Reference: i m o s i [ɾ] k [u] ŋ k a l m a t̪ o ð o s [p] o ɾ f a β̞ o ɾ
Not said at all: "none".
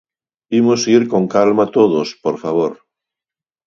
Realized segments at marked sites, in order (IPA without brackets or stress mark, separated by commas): ɾ, o, p